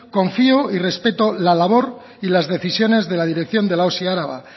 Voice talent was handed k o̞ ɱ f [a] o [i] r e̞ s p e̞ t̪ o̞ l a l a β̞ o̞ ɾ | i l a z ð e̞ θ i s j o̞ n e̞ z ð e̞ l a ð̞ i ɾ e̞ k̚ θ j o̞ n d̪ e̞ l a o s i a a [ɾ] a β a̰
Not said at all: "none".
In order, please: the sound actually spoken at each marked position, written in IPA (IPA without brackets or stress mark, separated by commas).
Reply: i, i, ɾ